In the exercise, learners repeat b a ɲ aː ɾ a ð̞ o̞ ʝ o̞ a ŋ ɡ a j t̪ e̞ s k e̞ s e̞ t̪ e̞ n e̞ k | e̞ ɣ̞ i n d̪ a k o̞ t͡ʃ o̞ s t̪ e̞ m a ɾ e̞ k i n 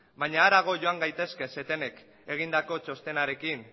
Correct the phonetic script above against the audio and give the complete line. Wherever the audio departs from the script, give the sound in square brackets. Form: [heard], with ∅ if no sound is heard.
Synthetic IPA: b a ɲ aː ɾ a [ɣ̞] o̞ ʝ o̞ a ŋ ɡ a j t̪ e̞ s k e̞ s e̞ t̪ e̞ n e̞ k | e̞ ɣ̞ i n d̪ a k o̞ t͡ʃ o̞ s t̪ e̞ [n] a ɾ e̞ k i n